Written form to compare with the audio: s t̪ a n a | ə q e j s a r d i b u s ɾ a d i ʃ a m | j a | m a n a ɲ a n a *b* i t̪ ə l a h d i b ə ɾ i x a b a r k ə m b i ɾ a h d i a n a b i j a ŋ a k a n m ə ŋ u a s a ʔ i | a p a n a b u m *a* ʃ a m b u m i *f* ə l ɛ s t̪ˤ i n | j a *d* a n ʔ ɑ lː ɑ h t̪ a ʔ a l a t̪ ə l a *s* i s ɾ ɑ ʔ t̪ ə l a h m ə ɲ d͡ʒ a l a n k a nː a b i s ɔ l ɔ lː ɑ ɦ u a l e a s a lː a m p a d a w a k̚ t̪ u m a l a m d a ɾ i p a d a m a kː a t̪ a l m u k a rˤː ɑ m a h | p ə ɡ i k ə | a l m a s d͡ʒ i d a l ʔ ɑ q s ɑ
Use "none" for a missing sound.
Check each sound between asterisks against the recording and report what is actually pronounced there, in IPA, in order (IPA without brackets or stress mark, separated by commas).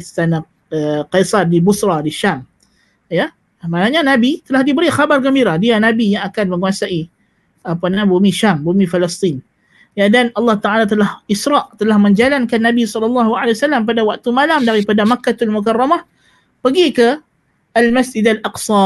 b, i, f, d, h